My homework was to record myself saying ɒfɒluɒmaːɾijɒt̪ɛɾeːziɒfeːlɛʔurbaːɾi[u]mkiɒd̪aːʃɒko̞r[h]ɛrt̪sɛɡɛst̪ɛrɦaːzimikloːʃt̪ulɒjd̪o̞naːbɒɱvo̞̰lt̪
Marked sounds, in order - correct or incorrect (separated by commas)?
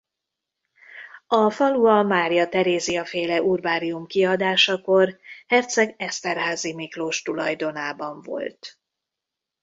correct, correct